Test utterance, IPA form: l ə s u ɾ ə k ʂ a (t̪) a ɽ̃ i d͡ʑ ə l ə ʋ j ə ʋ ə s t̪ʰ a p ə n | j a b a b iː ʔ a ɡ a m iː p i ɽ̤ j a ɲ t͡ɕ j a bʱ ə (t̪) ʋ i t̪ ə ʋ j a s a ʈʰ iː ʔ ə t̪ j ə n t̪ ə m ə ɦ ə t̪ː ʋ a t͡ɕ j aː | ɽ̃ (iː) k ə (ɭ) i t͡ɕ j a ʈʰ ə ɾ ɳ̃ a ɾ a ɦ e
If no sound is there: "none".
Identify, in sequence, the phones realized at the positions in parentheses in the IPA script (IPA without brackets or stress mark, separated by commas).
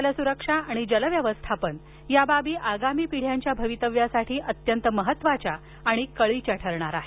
none, none, i, ɭ